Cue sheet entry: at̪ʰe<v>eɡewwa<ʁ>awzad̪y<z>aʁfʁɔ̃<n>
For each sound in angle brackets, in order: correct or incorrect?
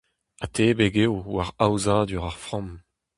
incorrect: b, correct, incorrect: ʁ, incorrect: m

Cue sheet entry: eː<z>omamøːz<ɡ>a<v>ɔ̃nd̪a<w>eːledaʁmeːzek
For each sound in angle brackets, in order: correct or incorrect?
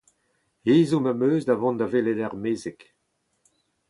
correct, incorrect: d, correct, incorrect: v

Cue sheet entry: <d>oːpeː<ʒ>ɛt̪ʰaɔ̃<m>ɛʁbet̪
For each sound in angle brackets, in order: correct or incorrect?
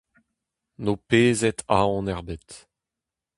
incorrect: n, incorrect: z, incorrect: n

